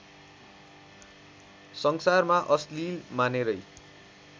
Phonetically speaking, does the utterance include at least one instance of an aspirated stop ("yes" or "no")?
no